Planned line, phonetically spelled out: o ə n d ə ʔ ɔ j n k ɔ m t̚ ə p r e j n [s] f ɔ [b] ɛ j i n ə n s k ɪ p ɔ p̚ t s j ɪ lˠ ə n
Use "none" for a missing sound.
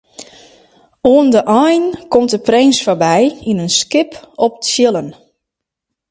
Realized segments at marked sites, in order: s, b

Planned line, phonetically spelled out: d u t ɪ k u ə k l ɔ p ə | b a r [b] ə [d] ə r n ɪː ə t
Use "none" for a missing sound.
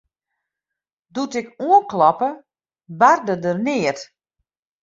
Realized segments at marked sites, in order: d, d

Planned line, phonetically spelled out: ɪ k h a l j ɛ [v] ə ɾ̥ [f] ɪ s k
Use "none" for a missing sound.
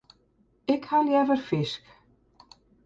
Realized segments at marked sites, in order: v, f

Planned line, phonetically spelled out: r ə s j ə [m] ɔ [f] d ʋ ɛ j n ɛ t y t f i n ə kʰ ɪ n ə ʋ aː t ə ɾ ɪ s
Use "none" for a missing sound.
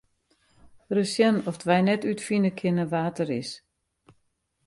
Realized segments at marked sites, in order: n, f

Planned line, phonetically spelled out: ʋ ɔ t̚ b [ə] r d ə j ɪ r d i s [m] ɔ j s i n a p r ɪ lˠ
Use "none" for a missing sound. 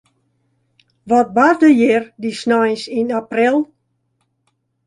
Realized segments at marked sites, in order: a, n

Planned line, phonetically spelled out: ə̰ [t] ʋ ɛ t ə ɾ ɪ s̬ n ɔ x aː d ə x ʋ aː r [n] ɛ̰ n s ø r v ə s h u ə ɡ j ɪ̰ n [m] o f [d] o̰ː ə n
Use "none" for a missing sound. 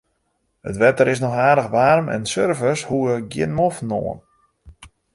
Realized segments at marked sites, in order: t, m, m, n

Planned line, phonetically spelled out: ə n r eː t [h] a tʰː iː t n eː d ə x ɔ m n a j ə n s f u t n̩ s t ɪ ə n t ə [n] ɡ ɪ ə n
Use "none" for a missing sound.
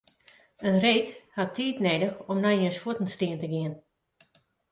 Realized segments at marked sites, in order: h, none

